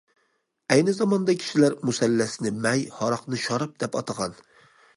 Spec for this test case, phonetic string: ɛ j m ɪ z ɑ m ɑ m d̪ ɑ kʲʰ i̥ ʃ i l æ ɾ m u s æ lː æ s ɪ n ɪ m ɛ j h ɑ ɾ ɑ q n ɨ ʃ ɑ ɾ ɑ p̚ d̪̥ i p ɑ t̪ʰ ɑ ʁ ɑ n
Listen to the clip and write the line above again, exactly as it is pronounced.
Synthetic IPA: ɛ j n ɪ z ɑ m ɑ n d̪ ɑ kʲʰ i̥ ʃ i l æ ɾ m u s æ lː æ s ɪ n ɪ m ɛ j h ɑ ɾ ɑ q n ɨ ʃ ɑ ɾ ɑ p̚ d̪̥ ɛ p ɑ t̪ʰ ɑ ʁ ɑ n